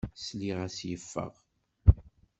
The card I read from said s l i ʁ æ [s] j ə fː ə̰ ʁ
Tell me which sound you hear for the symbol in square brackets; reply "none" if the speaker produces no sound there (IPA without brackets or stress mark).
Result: s